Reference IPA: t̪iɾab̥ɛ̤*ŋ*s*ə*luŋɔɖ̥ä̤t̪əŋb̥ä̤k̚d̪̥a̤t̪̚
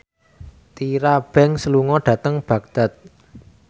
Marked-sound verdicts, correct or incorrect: correct, correct

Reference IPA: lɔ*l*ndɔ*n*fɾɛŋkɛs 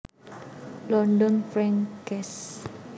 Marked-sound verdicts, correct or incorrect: incorrect, correct

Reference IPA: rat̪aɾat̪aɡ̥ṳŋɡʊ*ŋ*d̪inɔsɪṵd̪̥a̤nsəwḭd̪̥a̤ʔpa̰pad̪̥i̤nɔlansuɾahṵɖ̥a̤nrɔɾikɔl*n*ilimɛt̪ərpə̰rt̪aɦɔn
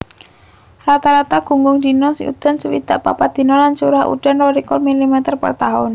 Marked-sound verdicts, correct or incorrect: correct, incorrect

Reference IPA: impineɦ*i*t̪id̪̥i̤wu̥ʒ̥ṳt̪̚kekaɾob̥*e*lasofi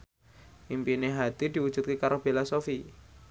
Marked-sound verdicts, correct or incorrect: incorrect, correct

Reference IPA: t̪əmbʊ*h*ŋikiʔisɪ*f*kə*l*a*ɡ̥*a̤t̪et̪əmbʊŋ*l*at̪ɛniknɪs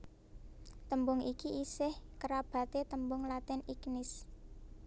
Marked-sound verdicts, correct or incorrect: incorrect, incorrect, incorrect, incorrect, correct

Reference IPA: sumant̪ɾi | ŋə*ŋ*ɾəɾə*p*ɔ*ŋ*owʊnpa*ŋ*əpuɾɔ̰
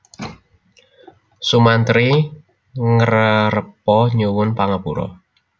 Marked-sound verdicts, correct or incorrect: incorrect, correct, incorrect, correct

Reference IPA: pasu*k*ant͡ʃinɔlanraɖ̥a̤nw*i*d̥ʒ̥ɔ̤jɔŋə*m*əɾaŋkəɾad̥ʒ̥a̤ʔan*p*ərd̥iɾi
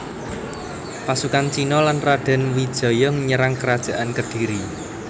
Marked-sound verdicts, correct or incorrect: correct, correct, incorrect, incorrect

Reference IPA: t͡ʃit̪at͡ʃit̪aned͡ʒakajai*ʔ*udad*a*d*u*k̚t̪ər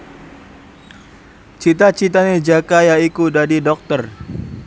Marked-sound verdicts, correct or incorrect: incorrect, incorrect, incorrect

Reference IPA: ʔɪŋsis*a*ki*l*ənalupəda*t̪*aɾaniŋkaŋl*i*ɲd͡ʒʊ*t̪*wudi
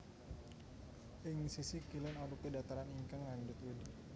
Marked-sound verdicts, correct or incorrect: incorrect, correct, correct, incorrect, correct

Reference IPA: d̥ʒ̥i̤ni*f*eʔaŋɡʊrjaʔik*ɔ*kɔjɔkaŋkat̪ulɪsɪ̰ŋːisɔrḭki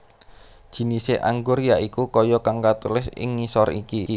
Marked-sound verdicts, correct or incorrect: incorrect, incorrect

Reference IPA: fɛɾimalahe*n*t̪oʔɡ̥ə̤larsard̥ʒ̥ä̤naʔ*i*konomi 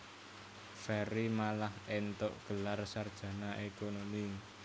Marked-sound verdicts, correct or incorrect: correct, incorrect

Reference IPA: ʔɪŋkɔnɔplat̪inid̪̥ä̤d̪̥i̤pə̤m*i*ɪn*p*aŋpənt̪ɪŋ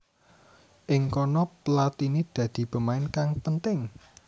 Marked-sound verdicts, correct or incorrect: incorrect, incorrect

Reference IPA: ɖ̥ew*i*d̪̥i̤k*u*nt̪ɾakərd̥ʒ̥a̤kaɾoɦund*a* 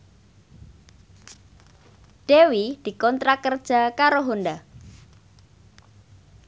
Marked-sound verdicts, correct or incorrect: correct, incorrect, correct

